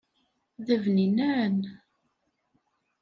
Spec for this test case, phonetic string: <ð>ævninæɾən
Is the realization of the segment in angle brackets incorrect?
no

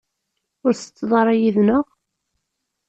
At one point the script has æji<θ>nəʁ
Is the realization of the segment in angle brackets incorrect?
yes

